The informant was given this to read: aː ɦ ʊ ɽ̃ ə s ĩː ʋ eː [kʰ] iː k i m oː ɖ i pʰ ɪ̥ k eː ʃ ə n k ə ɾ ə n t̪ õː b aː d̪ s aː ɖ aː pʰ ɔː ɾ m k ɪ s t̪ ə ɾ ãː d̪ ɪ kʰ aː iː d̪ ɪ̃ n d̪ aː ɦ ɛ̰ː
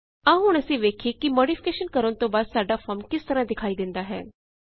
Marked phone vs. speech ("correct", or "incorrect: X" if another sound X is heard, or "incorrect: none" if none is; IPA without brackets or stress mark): correct